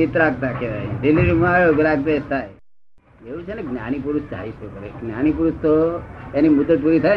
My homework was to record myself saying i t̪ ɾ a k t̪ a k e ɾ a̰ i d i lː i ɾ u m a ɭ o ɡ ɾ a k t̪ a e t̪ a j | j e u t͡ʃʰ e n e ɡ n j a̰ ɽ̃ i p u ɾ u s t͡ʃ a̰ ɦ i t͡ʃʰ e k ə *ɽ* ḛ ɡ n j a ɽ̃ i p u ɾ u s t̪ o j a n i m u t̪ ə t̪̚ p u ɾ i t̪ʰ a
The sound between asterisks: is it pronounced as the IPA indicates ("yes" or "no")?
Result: no